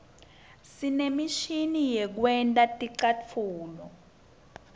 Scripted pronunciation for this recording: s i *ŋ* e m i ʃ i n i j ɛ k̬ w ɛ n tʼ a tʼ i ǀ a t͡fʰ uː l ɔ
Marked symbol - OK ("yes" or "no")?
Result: no